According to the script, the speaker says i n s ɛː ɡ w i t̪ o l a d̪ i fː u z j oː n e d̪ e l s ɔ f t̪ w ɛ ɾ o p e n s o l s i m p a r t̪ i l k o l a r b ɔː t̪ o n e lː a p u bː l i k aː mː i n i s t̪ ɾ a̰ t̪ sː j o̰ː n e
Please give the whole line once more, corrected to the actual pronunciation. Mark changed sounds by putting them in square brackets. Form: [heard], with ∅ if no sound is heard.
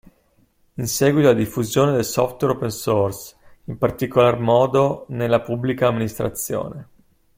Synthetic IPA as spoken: i n s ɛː ɡ w i t̪ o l a d̪ i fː u z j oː n e d̪ e l s ɔ f t̪ w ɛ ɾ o p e n s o [r] s i m p a r t̪ i [∅] k o l a r [m] ɔː [d̪] o n e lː a p u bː l i k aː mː i n i s t̪ ɾ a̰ t̪ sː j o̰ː n e